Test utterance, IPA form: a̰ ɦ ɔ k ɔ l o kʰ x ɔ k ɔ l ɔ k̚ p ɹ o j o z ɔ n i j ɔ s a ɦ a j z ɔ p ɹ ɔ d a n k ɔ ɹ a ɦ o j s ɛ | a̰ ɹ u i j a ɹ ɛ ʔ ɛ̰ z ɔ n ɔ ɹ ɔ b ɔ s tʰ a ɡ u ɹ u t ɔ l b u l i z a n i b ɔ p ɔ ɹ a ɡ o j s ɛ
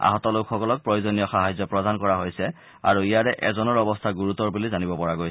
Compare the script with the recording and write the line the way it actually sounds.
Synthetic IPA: a̰ ɦ ɔ t ɔ l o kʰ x ɔ k ɔ l ɔ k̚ p ɹ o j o z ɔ n i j ɔ x a ɦ a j z ɔ p ɹ ɔ d a n k ɔ ɹ a ɦ o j s ɛ | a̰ ɹ u i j a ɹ ɛ ʔ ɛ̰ z ɔ n ɔ ɹ ɔ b ɔ s tʰ a ɡ u ɹ u t ɔ ɹ b u l i z a n i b ɔ p ɔ ɹ a ɡ o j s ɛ

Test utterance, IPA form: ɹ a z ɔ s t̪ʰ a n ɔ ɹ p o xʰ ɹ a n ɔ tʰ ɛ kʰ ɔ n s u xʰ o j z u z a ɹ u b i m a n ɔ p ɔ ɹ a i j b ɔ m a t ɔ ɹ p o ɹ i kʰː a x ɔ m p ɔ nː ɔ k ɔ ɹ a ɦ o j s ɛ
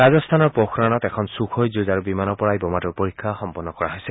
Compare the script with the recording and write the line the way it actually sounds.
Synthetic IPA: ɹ a z ɔ s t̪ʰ a n ɔ ɹ p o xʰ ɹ a n ɔ t ɛ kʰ ɔ n s u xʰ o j z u z a ɹ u b i m a n ɔ p ɔ ɹ a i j b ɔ m a t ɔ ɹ p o ɹ i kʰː a x ɔ m p ɔ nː ɔ k ɔ ɹ a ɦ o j s ɛ

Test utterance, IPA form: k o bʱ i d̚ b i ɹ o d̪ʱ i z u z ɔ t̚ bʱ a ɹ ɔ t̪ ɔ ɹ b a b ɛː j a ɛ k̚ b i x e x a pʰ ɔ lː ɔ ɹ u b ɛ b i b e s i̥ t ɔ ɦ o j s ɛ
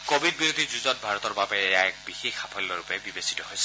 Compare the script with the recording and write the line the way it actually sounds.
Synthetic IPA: k o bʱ i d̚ b i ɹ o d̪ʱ i z u z ɔ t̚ bʱ a ɹ ɔ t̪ ɔ ɹ b a b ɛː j a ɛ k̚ b i x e x a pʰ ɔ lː ɔ ɹ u p ɛ b i b e s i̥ t ɔ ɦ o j s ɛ

